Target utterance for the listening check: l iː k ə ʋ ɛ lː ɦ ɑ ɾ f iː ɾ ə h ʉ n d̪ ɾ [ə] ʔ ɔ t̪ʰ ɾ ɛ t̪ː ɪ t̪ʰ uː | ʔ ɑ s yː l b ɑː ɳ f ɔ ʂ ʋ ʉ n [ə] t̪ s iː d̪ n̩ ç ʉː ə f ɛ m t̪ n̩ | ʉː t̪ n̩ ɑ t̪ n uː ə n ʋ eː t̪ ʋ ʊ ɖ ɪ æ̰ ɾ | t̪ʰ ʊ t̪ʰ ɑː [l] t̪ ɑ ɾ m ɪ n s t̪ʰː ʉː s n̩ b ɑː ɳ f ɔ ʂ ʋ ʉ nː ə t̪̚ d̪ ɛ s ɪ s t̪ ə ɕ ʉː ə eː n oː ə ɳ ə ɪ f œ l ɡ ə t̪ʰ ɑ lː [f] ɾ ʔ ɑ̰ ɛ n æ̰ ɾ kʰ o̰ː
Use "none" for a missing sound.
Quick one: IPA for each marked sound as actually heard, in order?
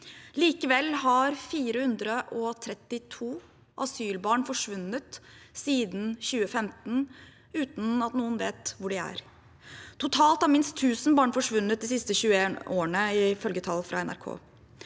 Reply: ə, ə, l, f

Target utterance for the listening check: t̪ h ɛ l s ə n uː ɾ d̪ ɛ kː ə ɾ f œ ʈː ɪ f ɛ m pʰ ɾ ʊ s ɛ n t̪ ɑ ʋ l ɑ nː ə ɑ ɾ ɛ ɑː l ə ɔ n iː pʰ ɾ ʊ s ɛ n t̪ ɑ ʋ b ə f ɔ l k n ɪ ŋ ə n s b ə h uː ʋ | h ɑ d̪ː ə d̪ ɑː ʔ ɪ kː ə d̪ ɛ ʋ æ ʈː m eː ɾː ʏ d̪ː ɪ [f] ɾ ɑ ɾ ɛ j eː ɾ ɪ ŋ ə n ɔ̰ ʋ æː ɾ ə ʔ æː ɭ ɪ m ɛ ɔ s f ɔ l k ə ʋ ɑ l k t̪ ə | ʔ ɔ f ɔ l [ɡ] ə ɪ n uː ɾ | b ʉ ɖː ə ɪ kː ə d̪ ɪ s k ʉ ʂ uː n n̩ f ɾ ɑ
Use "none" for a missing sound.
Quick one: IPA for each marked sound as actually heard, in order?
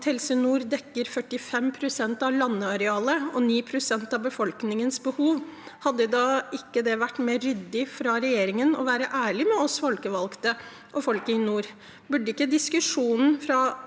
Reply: f, k

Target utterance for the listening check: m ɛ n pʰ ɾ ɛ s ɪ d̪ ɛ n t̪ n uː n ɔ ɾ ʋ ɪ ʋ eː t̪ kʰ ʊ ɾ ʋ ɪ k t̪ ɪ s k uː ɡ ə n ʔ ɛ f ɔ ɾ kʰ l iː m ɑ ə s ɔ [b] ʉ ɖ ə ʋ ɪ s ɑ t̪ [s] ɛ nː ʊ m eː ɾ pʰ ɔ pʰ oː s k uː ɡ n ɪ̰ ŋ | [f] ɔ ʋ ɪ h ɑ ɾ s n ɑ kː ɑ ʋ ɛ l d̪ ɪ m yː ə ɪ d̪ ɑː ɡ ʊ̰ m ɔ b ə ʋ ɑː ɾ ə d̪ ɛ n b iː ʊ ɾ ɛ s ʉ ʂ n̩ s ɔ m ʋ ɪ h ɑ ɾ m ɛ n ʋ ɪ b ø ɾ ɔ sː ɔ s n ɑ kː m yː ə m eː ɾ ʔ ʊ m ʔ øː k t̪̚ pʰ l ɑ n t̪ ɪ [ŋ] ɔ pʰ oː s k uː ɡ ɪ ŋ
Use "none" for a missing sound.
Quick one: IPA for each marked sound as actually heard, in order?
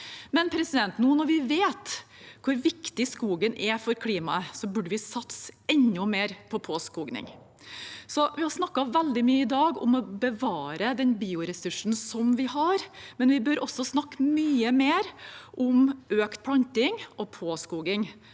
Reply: b, s, s, ŋ

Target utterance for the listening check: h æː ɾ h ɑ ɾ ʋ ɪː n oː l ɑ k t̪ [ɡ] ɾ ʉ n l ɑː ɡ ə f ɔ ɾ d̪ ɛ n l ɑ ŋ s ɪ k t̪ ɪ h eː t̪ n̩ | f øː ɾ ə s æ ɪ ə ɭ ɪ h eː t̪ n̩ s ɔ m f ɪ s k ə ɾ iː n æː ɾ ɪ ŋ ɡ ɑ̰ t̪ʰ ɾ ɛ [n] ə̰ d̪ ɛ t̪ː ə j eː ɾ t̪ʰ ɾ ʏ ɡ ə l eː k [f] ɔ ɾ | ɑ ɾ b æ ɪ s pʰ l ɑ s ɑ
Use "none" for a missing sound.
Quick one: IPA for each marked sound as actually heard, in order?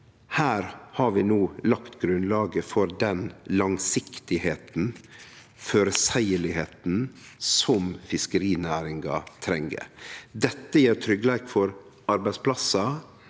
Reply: ɡ, ŋ, f

